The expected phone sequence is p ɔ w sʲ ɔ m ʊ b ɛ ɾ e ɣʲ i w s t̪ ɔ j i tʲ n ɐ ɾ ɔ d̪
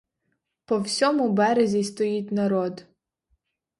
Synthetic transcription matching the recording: p ɔ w sʲ ɔ m ʊ b ɛ ɾ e zʲ i s t̪ ɔ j i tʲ n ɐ ɾ ɔ d̪